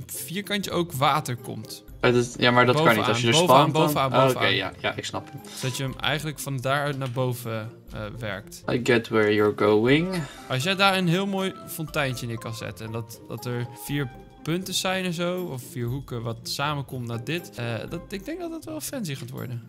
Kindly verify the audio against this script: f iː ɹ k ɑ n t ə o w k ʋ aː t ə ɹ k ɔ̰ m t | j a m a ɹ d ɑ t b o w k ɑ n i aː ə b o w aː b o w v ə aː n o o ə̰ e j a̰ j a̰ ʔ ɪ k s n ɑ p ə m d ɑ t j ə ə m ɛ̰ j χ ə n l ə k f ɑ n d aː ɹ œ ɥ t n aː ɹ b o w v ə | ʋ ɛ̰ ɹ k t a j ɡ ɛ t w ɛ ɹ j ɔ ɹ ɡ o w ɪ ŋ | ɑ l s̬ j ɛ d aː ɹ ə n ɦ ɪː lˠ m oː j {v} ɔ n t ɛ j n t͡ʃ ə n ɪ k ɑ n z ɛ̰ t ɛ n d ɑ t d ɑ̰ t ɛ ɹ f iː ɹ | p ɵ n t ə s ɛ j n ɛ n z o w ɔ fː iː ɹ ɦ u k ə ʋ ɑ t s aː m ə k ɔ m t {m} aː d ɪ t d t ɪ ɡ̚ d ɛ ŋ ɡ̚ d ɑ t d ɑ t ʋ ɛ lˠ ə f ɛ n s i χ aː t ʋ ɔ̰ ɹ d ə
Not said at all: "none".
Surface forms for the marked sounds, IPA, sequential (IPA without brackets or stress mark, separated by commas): f, n